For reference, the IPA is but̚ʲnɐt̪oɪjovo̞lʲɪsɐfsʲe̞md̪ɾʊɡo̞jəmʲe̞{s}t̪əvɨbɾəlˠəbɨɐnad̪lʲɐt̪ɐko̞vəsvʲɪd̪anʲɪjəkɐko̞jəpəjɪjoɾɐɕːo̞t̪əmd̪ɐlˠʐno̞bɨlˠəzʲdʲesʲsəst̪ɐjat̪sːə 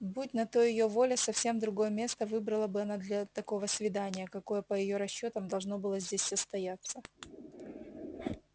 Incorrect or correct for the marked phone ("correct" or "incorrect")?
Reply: correct